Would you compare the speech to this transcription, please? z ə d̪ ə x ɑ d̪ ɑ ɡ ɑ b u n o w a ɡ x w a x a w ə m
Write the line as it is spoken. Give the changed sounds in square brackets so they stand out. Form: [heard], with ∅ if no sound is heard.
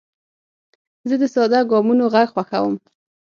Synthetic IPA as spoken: z ə d̪ ə [s] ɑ d̪ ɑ ɡ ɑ [m] u n o [ɣ] a ɡ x w a x a w ə m